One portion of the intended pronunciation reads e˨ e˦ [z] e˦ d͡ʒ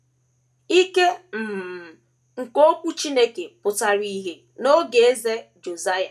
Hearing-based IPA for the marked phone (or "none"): z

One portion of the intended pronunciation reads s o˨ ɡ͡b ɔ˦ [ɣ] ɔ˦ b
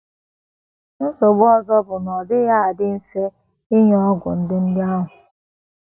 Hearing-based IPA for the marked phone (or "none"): z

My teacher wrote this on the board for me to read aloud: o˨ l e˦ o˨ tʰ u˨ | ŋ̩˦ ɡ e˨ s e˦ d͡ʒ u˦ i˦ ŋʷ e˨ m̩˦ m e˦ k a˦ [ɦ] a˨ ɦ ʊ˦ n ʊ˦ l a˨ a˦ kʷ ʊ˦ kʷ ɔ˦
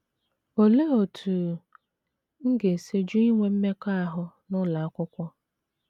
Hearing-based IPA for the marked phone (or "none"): none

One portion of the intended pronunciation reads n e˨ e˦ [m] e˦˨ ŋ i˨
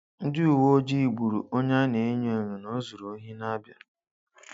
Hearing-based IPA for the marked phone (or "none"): ɲ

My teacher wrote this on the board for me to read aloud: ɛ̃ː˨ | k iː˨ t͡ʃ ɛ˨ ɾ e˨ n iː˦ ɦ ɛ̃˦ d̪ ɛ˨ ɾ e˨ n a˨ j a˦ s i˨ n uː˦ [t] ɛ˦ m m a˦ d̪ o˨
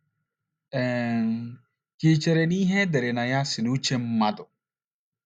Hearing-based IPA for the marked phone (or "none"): t͡ʃ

